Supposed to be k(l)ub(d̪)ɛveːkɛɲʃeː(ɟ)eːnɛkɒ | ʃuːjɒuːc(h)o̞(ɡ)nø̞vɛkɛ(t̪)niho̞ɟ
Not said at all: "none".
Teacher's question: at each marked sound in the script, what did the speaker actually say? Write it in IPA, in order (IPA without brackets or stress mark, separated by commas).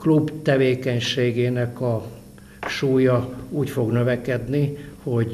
l, t̪, ɡ, f, ɡ, d̪